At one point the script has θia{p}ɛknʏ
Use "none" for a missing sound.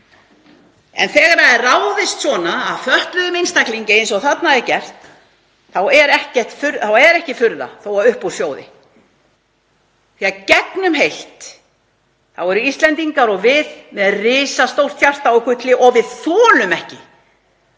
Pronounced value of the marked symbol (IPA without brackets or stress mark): c